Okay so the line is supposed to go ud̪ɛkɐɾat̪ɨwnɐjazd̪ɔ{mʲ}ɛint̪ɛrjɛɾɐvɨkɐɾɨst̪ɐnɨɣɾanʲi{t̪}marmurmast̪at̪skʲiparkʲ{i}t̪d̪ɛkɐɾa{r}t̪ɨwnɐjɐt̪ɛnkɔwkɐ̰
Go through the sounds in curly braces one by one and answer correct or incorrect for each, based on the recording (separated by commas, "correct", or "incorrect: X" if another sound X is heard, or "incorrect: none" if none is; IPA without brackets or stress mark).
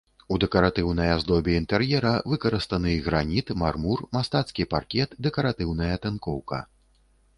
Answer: incorrect: bʲ, correct, incorrect: ɛ, incorrect: none